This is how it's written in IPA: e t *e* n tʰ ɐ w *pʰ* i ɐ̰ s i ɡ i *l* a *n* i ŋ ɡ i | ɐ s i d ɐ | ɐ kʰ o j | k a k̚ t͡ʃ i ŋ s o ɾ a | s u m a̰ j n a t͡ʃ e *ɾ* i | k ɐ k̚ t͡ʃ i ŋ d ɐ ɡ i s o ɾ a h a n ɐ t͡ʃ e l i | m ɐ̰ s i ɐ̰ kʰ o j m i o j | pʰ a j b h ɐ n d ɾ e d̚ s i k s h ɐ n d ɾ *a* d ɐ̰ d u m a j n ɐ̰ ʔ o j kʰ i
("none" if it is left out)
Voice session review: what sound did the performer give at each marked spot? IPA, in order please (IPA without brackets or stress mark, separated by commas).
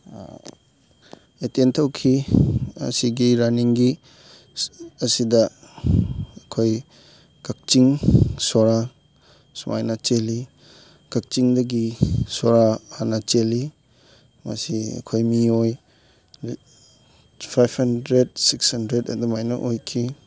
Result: e, kʰ, ɾ, n, l, e